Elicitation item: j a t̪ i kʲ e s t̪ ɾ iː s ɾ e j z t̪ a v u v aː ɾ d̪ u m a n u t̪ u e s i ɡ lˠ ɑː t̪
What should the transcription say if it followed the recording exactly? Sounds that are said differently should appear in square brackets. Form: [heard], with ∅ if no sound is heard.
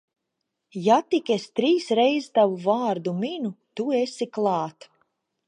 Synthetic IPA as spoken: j a t̪ i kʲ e s t̪ ɾ iː s ɾ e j z t̪ a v u v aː ɾ d̪ u m [i] n u t̪ u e s i [k] lˠ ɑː t̪